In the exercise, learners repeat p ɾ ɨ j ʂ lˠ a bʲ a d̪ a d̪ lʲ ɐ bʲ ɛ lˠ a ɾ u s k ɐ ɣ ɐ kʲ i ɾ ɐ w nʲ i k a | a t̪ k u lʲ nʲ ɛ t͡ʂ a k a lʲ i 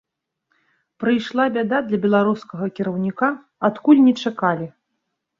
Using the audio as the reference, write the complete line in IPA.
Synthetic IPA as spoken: p ɾ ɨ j ʂ lˠ a bʲ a d̪ a d̪ lʲ ɐ bʲ ɛ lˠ a ɾ u s k ɐ ɣ ɐ kʲ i ɾ ɐ w nʲ i k a | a t̪ k u lʲ nʲ ɛ t͡ʂ a k a lʲ i